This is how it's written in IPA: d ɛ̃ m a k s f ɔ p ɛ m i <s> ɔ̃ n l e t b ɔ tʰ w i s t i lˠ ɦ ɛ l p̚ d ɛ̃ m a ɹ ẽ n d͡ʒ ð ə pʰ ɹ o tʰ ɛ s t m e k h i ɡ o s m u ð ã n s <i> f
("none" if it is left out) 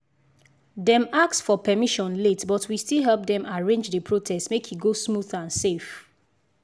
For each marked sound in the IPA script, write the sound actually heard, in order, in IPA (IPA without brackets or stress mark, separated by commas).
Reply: ʃ, e